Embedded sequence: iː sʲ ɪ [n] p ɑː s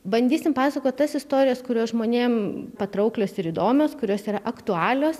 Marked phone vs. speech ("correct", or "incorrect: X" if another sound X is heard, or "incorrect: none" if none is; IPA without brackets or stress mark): incorrect: m